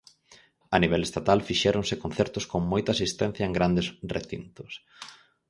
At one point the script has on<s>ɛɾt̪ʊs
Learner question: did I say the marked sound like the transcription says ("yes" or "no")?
no